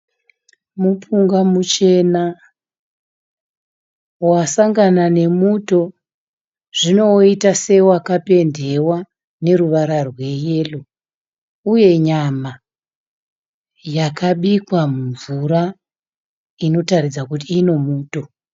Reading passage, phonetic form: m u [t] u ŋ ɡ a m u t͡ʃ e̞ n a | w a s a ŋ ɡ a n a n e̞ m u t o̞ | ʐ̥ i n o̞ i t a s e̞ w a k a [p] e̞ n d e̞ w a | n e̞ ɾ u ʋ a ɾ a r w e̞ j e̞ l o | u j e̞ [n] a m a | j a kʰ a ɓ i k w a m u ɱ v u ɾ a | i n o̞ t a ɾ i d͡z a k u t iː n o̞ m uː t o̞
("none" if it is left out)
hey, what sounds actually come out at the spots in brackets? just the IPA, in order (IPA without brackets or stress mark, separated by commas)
p, p, ɲ